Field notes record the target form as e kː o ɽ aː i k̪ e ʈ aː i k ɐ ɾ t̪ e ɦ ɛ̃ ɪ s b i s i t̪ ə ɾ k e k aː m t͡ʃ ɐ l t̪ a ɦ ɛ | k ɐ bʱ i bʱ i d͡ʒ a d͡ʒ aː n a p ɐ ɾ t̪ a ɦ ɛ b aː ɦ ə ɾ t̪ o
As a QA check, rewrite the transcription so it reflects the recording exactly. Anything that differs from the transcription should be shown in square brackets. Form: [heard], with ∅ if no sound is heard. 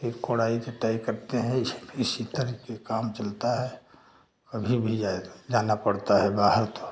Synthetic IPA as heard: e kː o ɽ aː i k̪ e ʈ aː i k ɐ ɾ t̪ e ɦ ɛ̃ ɪ s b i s i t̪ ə ɾ k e k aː m t͡ʃ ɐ l t̪ a ɦ ɛ | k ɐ bʱ i bʱ i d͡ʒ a d͡ʒ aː n a p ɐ [ɽ] t̪ a ɦ ɛ b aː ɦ ə ɾ t̪ o